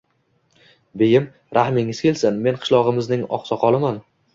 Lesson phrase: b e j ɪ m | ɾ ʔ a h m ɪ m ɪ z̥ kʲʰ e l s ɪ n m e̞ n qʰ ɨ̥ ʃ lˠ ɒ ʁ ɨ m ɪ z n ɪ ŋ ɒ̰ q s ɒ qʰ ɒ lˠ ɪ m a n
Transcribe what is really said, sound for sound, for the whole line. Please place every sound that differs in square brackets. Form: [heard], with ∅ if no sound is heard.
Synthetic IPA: b e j ɪ m | ɾ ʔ a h m ɪ [ŋ] ɪ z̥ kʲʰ e l s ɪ n m e̞ n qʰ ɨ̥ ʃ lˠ ɒ ʁ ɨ m ɪ z n ɪ ŋ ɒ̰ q s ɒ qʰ ɒ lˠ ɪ m a n